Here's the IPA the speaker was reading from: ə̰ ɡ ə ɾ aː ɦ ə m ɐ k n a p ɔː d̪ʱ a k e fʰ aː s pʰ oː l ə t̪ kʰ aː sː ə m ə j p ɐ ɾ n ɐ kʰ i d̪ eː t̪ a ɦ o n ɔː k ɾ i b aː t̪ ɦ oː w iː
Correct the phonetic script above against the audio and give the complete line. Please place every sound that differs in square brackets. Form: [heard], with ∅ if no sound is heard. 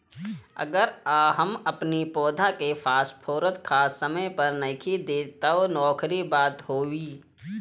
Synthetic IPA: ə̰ ɡ ə ɾ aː ɦ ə m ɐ [p] n [i] p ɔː d̪ʱ a k e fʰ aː s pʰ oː [ɾ] ə t̪ kʰ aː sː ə m ə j p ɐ ɾ n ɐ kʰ i d̪ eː t̪ a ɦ o n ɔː k ɾ i b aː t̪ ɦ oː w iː

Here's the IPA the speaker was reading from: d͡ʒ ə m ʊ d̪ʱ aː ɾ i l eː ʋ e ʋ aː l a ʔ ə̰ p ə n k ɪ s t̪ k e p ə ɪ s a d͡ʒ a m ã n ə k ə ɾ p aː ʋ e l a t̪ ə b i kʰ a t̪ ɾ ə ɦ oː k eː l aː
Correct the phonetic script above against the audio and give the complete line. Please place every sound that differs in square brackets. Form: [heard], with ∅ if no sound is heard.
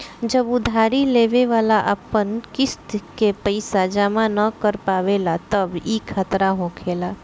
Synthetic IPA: d͡ʒ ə [b] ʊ d̪ʱ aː ɾ i l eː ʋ e ʋ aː l a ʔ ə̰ p ə n k ɪ s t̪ k e p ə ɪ s a d͡ʒ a m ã n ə k ə ɾ p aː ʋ e l a t̪ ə b i kʰ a t̪ ɾ [a] ɦ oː [kʰ] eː l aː

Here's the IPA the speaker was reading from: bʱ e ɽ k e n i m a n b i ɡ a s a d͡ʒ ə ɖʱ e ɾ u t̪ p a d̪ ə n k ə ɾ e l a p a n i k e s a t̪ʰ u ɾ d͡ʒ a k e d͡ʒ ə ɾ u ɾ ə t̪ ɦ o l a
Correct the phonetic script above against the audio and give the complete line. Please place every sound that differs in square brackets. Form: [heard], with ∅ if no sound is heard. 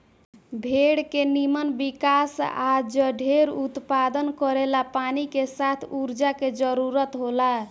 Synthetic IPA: bʱ e ɽ k e n i m [ə] n b i [k] a s a d͡ʒ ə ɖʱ e ɾ u t̪ p a d̪ ə n k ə ɾ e l a p a n i k e s a t̪ʰ u ɾ d͡ʒ a k e d͡ʒ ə ɾ u ɾ ə t̪ ɦ o l a

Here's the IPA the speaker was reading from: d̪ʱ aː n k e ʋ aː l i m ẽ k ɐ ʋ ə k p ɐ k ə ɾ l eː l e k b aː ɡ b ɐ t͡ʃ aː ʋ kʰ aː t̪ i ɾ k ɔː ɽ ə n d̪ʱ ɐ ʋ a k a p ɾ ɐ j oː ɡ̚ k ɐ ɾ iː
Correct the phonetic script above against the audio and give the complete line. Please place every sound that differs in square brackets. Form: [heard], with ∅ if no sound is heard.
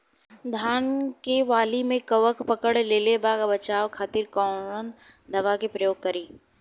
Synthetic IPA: d̪ʱ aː n k e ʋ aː l i m ẽ k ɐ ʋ ə k p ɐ k ə [ɽ] l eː l e [∅] b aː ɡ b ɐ t͡ʃ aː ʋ kʰ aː t̪ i ɾ k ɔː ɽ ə n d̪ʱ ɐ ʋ a k [e] p ɾ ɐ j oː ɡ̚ k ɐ ɾ iː

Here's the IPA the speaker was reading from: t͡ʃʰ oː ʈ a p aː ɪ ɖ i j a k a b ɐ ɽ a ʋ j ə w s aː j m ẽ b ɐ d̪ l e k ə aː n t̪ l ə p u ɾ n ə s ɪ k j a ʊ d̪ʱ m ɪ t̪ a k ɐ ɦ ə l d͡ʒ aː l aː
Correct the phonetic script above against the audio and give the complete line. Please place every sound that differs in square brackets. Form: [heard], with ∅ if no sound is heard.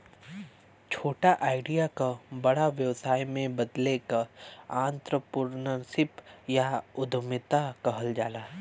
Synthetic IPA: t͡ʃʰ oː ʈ a [ʔ] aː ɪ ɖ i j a k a b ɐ ɽ a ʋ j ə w s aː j m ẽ b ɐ d̪ l e k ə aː n t̪ [ɾ] ə p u ɾ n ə s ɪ [p] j a ʊ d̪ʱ m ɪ t̪ a k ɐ ɦ ə l d͡ʒ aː l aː

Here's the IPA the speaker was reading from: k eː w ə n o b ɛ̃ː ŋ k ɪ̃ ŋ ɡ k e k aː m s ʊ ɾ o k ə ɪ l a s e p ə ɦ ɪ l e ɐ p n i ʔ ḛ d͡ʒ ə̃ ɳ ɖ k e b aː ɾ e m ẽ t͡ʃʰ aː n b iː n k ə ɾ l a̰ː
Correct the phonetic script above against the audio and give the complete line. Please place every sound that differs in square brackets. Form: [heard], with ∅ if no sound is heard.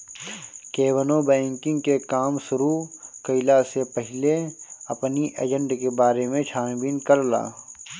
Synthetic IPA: k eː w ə n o b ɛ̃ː ŋ k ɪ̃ ŋ ɡ k e k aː m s ʊ ɾ [u] k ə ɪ l a s e p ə ɦ ɪ l e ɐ p n i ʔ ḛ d͡ʒ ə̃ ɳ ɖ k e b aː ɾ e m ẽ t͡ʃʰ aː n b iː n k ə ɾ l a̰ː

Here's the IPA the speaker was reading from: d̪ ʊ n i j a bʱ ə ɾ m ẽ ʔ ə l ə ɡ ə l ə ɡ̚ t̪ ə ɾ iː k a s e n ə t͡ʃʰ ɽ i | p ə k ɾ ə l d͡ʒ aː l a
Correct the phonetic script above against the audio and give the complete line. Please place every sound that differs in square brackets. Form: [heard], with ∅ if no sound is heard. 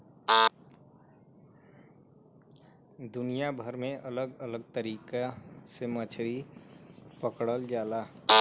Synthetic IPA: d̪ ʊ n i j a bʱ ə ɾ m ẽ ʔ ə l ə ɡ ə l ə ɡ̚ t̪ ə ɾ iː k a s e [m] ə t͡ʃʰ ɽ i | p ə k [ɽ] ə l d͡ʒ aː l a

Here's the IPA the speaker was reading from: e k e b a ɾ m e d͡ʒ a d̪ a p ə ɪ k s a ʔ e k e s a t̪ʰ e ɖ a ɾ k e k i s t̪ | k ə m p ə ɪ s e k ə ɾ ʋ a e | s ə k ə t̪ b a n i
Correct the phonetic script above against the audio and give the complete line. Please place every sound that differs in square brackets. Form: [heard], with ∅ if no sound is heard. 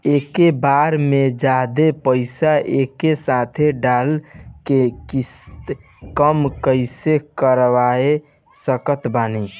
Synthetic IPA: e k e b a ɾ m e d͡ʒ a d̪ [e] p ə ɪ [∅] s a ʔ e k e s a t̪ʰ e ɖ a [l] k e k i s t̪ | k ə m [k] ə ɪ s e k ə ɾ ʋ a e | s ə k ə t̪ b a n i

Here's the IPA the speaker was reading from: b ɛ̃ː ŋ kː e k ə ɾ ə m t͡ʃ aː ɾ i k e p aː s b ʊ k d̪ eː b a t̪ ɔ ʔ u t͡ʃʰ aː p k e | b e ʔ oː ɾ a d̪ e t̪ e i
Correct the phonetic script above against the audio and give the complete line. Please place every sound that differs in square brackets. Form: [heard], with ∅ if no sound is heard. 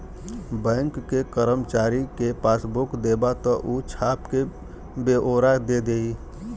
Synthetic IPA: b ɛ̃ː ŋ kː e k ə ɾ ə m t͡ʃ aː ɾ i k e p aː s b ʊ k d̪ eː b a t̪ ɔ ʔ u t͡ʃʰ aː p k e | b e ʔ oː ɾ a d̪ e [d̪] e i

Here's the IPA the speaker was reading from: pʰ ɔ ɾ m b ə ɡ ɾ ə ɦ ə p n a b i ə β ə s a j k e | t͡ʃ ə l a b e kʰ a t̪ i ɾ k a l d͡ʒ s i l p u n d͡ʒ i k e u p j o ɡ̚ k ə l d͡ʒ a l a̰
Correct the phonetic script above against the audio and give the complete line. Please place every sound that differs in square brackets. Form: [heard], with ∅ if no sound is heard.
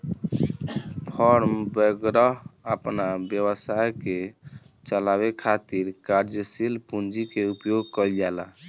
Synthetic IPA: pʰ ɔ ɾ m b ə ɡ ɾ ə ɦ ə p n a b [j] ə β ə s a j k e | t͡ʃ ə l a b e kʰ a t̪ i ɾ k a [ɾ] d͡ʒ s i l p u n d͡ʒ i k e u p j o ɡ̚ k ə l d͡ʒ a l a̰

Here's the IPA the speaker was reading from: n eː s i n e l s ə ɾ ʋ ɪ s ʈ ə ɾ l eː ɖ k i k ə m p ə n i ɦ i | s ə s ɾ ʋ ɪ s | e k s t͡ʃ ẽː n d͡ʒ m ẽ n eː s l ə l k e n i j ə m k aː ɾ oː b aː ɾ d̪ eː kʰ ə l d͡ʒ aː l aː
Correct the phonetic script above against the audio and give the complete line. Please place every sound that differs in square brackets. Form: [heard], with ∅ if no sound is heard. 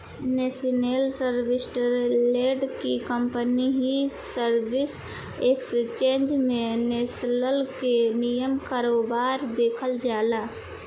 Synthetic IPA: n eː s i n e l s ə ɾ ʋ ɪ s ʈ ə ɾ l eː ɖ k i k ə m p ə n i ɦ i | s ə [∅] ɾ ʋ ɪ s | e k s t͡ʃ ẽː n d͡ʒ m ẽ n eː s l ə l k e n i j ə m k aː ɾ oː b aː ɾ d̪ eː kʰ ə l d͡ʒ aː l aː

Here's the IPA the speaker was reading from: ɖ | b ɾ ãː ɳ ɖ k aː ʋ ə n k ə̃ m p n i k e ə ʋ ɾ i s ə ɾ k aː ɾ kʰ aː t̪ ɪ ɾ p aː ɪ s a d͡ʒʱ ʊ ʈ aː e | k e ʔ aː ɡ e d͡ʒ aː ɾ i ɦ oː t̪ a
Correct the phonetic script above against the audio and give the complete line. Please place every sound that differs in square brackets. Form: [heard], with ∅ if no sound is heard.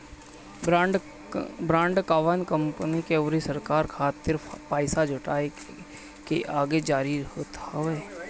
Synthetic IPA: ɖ | b ɾ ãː ɳ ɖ k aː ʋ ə n k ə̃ m p n i k e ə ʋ ɾ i s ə ɾ k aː ɾ kʰ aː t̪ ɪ ɾ p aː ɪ s a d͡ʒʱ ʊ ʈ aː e | k e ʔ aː ɡ e d͡ʒ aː ɾ i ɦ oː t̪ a

